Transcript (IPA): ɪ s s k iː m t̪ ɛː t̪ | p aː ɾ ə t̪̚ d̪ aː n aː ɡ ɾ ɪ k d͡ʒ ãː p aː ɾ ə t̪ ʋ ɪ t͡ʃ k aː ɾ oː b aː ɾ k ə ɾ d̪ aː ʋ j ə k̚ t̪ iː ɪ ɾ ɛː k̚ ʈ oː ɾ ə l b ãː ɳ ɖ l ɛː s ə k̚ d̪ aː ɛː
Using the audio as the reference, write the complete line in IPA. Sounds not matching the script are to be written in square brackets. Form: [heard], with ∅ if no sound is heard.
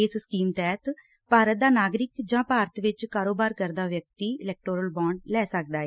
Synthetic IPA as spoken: ɪ s s k iː m t̪ ɛː t̪ | p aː ɾ ə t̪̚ d̪ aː n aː ɡ ɾ ɪ k d͡ʒ ãː p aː ɾ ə t̪ ʋ ɪ t͡ʃ k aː ɾ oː b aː ɾ k ə ɾ d̪ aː ʋ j ə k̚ t̪ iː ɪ [l] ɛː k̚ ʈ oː ɾ ə l b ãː ɳ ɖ l ɛː s ə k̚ d̪ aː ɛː

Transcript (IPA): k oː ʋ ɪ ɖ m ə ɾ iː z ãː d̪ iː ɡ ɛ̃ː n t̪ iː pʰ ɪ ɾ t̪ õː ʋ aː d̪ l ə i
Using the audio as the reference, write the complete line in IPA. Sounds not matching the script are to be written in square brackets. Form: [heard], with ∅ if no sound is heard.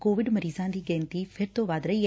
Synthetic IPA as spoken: k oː ʋ ɪ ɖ m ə ɾ iː z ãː d̪ iː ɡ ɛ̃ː n t̪ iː pʰ ɪ ɾ t̪ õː ʋ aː d̪ [ɾ] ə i

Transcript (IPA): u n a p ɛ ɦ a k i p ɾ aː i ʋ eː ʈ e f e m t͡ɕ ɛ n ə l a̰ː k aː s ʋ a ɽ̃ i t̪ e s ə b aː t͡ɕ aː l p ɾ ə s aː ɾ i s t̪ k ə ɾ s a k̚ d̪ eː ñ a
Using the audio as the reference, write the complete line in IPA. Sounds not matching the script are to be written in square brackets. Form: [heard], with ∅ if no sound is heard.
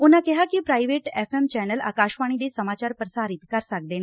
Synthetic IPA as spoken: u n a [k] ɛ ɦ a k i p ɾ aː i ʋ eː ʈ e f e m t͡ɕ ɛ n ə l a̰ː k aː [ʃ] ʋ a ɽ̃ i [d̪] e s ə [m] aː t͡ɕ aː [ɾ] p ɾ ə s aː ɾ i [∅] t̪ k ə ɾ s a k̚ d̪ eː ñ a

